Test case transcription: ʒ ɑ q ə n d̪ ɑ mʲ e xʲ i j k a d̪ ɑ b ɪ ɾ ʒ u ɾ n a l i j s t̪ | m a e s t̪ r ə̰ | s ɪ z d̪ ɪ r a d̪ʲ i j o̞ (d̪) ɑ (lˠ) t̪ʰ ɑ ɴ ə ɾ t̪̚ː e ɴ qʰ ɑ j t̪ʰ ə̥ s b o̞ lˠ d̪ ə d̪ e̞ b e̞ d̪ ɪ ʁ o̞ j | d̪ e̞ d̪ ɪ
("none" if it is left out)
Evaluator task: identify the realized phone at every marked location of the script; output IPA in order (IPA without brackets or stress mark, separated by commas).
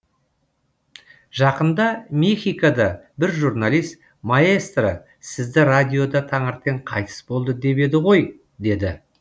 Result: d̪, none